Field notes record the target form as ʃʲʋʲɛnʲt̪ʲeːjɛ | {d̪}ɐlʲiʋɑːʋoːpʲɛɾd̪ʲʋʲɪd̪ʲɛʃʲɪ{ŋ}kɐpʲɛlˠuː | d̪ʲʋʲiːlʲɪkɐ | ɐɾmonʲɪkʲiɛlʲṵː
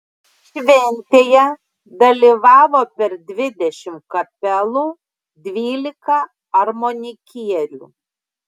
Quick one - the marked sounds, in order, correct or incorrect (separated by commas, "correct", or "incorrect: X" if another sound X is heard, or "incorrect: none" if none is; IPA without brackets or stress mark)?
correct, incorrect: m